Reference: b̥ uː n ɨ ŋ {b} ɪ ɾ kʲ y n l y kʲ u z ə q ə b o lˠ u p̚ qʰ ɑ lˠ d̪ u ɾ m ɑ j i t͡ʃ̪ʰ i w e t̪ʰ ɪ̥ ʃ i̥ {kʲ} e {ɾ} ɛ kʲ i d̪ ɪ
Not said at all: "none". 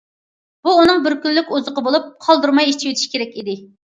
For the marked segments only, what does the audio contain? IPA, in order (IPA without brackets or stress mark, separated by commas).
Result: b, kʲ, ɾ